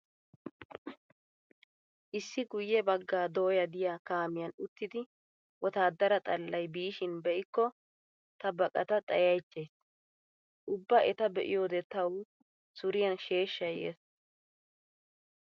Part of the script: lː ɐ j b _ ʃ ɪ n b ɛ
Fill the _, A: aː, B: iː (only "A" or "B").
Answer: B